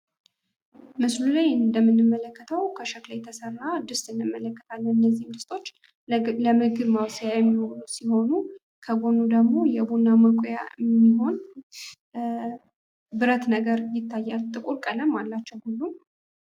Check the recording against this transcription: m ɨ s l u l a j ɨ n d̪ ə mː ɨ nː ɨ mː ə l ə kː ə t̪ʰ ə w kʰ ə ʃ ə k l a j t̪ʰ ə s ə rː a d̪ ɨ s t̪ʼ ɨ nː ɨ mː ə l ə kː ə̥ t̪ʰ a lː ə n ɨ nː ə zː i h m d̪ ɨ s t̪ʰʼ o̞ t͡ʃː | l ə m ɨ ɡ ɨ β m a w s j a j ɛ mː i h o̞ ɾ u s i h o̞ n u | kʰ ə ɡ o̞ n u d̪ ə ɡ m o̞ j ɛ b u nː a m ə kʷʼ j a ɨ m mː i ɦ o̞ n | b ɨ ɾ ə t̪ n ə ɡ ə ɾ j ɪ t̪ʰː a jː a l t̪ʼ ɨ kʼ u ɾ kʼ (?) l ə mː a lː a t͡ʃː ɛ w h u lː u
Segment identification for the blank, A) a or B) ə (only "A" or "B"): B